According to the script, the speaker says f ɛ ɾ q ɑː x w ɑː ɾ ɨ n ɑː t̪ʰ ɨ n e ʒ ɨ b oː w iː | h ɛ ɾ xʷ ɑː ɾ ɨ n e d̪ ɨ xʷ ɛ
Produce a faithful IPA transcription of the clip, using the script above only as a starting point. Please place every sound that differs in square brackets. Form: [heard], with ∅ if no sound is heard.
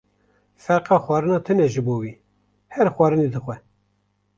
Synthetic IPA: f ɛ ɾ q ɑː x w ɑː ɾ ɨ n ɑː t̪ʰ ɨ n [ɛ] ʒ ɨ b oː w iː | h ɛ ɾ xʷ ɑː ɾ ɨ n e d̪ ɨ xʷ ɛ